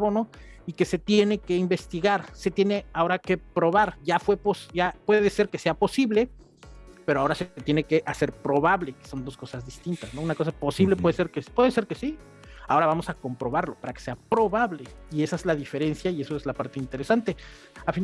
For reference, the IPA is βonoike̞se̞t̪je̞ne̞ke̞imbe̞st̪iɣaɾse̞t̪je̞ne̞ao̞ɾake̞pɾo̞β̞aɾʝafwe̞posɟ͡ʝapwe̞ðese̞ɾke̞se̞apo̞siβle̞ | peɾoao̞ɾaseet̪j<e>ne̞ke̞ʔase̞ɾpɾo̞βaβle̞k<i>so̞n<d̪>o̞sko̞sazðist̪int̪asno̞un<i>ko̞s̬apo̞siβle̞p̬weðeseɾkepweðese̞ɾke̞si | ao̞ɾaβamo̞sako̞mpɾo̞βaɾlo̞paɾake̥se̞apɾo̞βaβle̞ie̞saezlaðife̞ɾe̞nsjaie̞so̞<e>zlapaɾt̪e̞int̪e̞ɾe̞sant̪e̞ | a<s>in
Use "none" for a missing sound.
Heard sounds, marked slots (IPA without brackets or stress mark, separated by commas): e, e, d̪, a, e, f